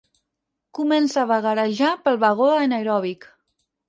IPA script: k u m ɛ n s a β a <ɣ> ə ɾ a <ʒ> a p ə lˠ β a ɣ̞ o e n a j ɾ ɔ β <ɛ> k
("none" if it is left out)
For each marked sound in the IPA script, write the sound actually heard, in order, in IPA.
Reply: ɣ, ʒ, i

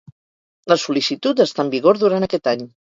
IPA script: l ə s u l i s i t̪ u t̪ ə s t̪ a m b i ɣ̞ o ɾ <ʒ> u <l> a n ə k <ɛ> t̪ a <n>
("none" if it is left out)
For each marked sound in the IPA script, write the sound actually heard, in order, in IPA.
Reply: ð, ɾ, ɛ, ɲ

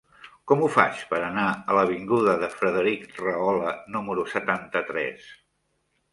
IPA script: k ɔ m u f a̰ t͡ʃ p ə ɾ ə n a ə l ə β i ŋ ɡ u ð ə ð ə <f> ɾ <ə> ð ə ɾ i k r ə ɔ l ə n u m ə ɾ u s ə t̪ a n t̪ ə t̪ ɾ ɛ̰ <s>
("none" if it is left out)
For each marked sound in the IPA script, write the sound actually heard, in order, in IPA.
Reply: f, ə, s

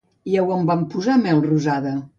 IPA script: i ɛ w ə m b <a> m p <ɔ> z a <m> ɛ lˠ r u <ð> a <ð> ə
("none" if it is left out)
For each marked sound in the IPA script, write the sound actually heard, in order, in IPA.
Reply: a, u, m, z, ð

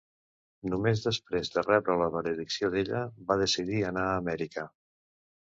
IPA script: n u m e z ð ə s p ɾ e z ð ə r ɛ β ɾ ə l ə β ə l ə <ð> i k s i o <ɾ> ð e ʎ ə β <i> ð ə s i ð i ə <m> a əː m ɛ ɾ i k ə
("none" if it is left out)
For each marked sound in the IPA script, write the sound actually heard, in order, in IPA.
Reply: ð, none, a, n

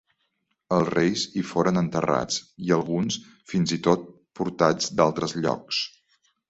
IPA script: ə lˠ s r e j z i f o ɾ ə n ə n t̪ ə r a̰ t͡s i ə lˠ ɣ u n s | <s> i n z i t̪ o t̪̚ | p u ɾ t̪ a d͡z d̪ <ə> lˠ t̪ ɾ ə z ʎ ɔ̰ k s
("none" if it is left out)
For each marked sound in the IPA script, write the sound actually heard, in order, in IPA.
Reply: f, a

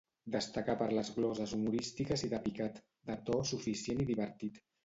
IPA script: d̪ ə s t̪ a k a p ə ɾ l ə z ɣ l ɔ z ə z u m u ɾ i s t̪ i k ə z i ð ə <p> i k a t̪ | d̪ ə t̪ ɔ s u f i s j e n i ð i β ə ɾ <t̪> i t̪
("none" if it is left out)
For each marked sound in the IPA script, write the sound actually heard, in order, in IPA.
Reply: p, t̪

